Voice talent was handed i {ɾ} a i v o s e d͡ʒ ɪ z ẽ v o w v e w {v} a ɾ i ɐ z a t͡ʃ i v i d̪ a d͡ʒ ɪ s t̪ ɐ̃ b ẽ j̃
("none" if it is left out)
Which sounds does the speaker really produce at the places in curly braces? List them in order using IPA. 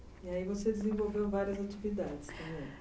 none, v

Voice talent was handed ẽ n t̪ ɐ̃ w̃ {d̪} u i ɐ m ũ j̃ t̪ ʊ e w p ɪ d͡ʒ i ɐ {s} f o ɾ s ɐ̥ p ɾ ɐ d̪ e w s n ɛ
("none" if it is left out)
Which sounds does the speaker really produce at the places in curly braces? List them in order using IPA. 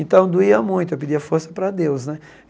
d̪, none

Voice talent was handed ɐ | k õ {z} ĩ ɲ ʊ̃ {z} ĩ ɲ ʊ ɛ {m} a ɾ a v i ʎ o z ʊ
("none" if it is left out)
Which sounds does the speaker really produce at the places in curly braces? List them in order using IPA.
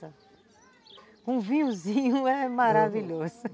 v, z, m

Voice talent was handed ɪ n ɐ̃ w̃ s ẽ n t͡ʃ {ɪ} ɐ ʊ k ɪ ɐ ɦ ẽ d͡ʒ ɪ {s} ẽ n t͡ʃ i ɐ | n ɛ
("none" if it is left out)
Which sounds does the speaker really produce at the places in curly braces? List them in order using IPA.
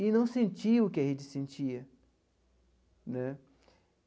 i, s

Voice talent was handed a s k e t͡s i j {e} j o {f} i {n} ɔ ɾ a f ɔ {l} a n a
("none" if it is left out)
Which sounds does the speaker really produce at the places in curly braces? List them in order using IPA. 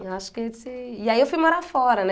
a, f, m, ɾ

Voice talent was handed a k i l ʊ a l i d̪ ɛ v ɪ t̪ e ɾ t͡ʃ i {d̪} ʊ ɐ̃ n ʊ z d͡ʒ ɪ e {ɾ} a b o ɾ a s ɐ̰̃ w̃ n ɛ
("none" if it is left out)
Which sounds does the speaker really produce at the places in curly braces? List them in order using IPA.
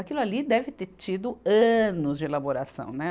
d̪, l

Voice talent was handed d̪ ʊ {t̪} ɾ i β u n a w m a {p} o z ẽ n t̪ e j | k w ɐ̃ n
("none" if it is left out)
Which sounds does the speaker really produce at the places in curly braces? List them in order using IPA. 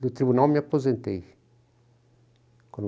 t̪, p

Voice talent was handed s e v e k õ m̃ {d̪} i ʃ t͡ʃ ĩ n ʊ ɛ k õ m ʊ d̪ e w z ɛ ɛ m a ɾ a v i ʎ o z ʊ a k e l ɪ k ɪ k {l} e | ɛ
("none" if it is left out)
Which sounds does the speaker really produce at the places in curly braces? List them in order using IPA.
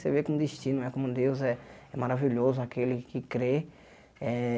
d̪, ɾ

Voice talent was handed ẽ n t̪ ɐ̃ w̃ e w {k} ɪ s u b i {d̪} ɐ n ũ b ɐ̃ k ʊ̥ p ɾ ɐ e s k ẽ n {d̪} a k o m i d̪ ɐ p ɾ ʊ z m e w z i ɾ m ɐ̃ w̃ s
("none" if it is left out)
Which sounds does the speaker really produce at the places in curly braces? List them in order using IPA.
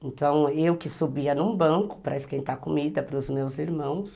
k, none, t̪

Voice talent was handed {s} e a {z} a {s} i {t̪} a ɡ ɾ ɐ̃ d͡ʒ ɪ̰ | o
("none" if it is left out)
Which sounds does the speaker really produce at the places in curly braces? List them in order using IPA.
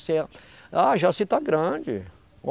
s, ʒ, s, t̪

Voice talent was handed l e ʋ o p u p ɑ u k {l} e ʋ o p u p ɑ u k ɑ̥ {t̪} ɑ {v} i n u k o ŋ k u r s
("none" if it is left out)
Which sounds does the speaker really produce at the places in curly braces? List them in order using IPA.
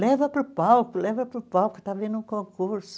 l, t̪, ʋ

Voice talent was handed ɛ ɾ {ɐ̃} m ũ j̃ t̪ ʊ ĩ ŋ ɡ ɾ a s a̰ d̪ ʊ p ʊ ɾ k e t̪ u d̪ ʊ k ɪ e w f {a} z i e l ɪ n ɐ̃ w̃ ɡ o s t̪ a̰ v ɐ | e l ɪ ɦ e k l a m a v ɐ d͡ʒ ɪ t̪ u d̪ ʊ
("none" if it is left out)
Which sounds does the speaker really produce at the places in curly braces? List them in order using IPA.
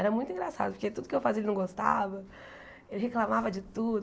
ɐ, a

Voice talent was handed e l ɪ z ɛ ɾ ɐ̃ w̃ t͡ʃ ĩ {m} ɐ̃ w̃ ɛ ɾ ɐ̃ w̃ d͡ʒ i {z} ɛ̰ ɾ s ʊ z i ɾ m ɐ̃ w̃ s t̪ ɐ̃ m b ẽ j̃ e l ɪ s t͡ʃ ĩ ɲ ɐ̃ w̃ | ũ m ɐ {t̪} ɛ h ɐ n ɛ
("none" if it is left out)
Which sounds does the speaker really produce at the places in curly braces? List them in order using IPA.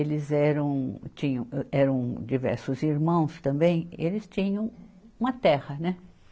ɲ, v, t̪

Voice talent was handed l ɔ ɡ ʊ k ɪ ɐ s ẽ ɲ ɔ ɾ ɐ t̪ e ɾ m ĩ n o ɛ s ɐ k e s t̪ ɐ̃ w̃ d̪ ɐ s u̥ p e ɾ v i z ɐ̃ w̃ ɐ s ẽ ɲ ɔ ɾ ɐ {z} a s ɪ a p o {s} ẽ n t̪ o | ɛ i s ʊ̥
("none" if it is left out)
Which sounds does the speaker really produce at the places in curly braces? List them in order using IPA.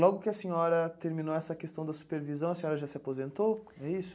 ʒ, z

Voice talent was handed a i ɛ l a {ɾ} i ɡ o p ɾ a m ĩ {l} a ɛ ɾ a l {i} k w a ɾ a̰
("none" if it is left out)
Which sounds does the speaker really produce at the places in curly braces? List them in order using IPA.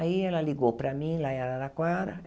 l, l, a

